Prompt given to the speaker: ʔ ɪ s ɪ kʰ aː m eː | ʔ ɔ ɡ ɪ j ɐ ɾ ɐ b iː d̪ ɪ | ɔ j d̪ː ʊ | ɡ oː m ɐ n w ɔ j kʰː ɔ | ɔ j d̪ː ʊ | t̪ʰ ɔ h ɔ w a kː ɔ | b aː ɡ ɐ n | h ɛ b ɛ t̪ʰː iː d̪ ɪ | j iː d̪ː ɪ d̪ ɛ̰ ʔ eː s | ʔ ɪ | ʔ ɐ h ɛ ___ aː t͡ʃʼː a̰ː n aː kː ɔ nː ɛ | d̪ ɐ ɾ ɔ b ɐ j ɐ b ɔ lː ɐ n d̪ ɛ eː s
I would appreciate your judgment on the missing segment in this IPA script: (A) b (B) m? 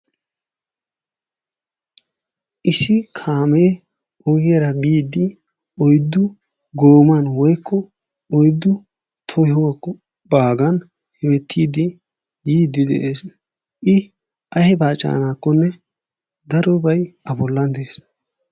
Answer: A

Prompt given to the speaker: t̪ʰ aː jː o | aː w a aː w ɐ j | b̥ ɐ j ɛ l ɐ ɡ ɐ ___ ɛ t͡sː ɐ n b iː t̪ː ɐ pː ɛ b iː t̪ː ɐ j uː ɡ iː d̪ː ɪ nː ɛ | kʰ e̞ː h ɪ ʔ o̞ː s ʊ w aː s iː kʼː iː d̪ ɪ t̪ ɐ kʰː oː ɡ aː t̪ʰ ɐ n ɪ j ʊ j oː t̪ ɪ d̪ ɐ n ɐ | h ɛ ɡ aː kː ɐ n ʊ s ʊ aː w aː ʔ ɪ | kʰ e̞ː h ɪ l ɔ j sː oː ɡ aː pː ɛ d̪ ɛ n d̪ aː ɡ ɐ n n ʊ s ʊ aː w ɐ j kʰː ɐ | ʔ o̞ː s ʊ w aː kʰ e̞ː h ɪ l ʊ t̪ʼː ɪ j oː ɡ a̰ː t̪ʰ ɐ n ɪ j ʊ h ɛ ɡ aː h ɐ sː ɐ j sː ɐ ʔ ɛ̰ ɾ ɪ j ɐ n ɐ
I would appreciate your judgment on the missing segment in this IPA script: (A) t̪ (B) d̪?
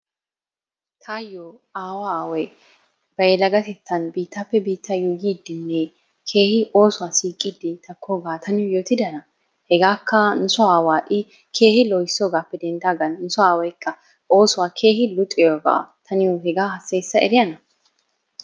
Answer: A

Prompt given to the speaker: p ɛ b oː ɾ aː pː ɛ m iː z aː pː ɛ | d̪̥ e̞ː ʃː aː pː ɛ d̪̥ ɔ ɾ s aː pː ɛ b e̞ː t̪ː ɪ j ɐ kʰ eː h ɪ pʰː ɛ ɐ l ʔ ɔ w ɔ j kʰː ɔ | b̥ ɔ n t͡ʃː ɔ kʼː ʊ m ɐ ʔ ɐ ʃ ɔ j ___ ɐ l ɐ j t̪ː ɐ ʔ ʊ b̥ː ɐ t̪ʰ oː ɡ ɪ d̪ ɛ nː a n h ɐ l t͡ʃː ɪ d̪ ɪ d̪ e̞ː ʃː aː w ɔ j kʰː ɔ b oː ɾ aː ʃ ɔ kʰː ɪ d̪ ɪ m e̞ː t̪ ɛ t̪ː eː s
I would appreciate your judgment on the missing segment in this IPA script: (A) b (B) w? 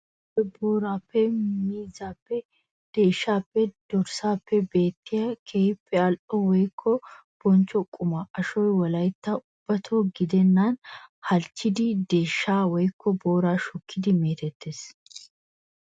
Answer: B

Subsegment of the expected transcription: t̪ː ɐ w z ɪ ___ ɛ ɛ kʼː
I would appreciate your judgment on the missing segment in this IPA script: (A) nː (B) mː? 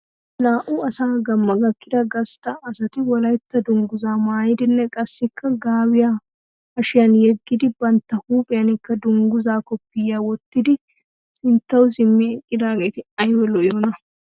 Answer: B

